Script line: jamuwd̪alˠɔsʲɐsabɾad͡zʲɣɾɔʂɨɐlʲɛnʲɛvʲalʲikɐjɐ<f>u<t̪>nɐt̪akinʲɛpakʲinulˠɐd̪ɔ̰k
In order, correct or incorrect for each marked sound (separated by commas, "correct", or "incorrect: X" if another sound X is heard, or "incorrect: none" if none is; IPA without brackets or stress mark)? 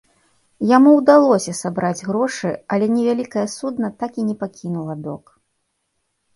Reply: incorrect: s, incorrect: d̪